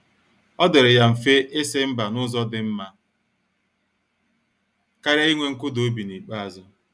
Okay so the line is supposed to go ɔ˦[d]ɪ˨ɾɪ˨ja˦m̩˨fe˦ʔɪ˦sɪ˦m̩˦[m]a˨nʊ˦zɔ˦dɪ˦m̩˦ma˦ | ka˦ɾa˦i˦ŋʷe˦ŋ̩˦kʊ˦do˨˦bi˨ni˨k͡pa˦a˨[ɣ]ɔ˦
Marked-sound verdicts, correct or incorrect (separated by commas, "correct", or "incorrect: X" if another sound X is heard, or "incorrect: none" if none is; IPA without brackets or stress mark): correct, incorrect: b, incorrect: z